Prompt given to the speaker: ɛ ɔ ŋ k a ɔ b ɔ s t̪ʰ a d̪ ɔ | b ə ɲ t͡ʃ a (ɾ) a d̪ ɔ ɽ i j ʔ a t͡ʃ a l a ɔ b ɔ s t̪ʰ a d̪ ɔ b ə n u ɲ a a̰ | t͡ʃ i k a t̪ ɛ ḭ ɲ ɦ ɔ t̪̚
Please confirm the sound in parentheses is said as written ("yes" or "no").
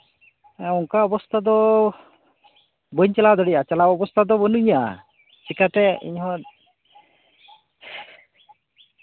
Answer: no